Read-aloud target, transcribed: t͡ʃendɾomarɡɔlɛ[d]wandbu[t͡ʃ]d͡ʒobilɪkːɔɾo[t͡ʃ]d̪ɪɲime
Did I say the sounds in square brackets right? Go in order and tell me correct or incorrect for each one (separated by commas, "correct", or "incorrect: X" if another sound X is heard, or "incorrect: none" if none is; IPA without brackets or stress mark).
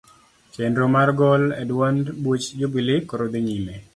correct, correct, incorrect: none